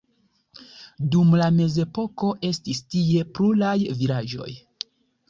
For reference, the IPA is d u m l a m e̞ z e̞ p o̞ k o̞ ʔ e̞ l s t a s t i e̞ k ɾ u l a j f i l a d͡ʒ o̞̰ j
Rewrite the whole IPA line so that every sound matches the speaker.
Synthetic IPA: d u m l a m e̞ z e̞ p o̞ k o̞ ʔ e̞ s t i s t i e̞ p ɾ u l a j v i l a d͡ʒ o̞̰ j